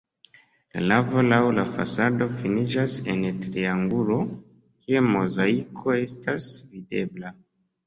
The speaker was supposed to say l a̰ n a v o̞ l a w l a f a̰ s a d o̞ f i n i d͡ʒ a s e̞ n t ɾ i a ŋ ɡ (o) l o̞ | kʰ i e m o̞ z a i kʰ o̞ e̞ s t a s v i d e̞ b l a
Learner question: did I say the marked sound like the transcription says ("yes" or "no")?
no